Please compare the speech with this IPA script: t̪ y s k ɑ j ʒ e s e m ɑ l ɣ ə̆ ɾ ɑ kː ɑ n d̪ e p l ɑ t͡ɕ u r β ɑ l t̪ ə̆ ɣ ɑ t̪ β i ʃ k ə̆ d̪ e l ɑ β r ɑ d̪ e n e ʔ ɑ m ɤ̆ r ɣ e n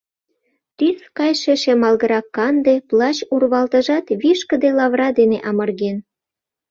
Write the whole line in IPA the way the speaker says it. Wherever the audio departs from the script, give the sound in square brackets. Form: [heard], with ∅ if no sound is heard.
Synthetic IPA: t̪ y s k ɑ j [ʃ] e [ʃ] e m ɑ l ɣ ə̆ ɾ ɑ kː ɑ n d̪ e p l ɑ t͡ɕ u r β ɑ l t̪ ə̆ [ʒ] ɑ t̪ β i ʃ k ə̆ d̪ e l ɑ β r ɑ d̪ e n e ʔ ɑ m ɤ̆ r ɣ e n